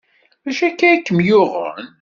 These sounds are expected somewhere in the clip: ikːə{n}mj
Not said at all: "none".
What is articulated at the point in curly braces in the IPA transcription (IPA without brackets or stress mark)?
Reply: none